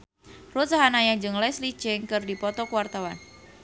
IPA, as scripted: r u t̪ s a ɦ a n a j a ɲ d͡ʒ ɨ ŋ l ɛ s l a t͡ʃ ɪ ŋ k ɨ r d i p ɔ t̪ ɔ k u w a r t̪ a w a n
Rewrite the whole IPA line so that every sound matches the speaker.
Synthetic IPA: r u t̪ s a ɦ a n a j a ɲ d͡ʒ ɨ ŋ l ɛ s l i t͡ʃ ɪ ŋ k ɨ r d i p ɔ t̪ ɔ k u w a r t̪ a w a n